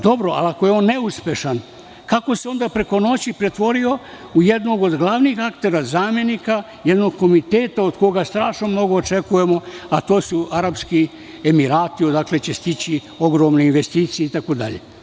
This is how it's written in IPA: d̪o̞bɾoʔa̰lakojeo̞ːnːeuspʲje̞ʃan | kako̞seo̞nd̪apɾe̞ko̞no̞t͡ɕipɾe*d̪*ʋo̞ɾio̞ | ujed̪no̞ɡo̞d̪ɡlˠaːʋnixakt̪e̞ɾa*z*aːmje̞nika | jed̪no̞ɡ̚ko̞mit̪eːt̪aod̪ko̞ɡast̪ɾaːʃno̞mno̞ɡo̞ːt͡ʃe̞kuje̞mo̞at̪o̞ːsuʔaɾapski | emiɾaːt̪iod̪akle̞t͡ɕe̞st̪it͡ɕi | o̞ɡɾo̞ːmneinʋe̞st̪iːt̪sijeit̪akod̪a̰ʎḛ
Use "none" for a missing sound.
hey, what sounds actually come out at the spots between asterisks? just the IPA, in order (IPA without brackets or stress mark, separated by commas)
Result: t̪, z